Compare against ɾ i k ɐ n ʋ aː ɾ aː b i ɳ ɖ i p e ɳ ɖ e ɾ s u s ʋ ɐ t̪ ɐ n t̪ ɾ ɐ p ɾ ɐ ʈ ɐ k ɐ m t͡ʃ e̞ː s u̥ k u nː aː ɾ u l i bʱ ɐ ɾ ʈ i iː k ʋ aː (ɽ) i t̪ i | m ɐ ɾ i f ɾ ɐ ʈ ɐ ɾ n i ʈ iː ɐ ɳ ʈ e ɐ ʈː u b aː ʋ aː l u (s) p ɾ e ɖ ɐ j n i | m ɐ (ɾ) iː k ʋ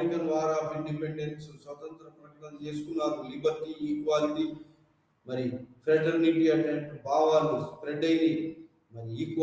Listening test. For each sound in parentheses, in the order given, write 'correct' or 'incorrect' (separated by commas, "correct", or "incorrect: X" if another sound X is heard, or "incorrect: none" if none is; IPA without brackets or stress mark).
incorrect: l, correct, correct